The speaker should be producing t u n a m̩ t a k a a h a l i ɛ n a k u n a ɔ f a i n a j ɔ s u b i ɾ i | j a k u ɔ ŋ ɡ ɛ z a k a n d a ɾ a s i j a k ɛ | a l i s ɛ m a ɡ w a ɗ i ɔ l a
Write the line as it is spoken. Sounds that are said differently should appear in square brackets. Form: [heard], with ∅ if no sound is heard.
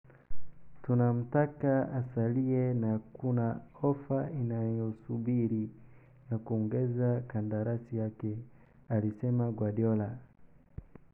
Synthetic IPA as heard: t u n a m̩ t a k a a [s] a l i ɛ n a k u n a ɔ f a i n a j ɔ s u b i ɾ i | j a k u ɔ ŋ ɡ ɛ z a k a n d a ɾ a s i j a k ɛ | a l i s ɛ m a ɡ w a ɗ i ɔ l a